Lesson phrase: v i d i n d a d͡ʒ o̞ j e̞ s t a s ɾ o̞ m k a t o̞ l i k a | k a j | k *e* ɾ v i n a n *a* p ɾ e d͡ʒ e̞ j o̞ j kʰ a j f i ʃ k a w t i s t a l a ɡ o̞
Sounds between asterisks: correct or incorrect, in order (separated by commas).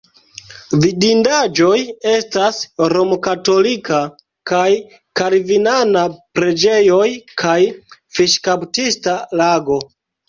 incorrect, correct